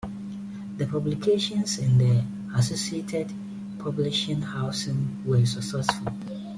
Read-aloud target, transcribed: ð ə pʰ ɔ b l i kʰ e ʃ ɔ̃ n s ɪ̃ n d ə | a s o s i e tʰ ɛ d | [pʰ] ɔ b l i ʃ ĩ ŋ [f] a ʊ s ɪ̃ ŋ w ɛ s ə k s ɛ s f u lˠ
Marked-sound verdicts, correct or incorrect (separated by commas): correct, incorrect